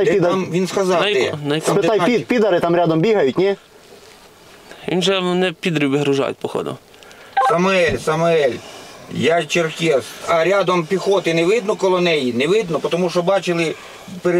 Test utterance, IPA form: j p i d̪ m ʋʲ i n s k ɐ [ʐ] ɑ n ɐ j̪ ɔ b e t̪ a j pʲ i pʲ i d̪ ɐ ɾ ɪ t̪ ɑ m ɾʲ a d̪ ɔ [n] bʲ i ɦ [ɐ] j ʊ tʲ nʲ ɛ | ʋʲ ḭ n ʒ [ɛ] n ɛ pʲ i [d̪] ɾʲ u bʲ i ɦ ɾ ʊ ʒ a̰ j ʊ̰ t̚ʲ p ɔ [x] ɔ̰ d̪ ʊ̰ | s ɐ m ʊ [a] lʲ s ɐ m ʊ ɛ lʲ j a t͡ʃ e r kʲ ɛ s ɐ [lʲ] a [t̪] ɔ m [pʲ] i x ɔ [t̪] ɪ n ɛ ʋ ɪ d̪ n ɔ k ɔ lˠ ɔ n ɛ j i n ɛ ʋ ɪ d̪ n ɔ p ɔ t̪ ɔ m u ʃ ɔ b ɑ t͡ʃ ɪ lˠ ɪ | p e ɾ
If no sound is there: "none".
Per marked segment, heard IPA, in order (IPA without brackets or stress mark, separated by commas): z, m, ɐ, ɛ, d̪, x, ɛ, ɾʲ, d̪, pʲ, t̪